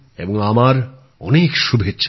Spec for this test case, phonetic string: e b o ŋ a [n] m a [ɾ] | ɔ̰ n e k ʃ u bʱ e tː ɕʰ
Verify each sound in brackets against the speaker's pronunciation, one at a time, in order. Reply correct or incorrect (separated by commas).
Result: incorrect, correct